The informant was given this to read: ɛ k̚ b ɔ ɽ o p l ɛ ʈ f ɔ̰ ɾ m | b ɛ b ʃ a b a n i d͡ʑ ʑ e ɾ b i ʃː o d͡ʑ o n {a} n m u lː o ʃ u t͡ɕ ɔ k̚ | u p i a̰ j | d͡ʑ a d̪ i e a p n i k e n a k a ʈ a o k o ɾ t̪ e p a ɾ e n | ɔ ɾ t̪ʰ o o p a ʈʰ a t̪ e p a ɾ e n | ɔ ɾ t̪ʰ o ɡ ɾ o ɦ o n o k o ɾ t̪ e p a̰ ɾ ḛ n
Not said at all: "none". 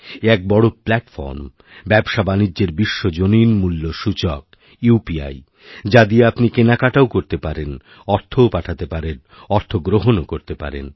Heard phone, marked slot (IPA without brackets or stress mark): i